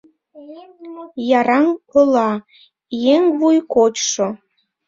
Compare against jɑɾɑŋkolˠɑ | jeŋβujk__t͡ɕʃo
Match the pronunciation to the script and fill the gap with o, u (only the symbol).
o